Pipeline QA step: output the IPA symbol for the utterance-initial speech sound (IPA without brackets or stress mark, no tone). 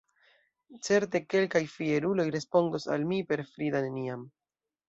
t͡s